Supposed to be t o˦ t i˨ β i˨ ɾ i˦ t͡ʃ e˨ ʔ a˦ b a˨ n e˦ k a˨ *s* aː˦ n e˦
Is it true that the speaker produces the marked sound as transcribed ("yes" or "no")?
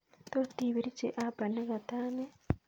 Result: no